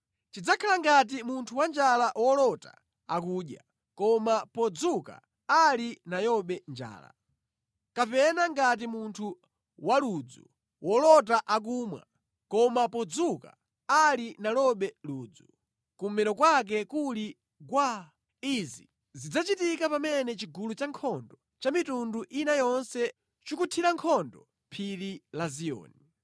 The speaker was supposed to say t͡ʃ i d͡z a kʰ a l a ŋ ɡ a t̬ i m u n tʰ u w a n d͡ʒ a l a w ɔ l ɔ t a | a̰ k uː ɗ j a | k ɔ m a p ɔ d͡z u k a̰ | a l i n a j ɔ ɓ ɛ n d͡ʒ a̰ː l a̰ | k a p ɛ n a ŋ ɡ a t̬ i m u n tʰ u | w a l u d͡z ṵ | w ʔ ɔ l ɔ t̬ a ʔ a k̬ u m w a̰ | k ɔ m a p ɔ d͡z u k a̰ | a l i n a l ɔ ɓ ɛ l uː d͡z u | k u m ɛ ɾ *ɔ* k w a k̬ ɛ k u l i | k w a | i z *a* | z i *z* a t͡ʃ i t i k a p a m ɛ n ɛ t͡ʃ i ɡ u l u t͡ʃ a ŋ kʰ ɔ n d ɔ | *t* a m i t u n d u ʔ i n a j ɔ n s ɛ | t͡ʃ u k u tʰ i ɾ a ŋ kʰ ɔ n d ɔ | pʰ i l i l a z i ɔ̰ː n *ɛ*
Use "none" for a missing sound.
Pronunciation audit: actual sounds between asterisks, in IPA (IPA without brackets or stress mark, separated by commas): ɔ, i, d͡z, t͡ʃ, i